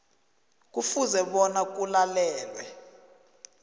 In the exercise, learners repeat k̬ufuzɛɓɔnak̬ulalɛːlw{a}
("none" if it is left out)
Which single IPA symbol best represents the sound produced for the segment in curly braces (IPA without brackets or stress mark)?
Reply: ɛ